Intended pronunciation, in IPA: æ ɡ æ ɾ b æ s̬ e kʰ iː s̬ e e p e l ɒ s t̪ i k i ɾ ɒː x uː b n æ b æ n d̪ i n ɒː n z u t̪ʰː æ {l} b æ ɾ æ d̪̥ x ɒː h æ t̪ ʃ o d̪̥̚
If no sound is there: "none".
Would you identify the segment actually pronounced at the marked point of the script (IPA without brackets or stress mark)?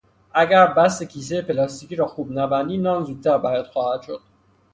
ɾ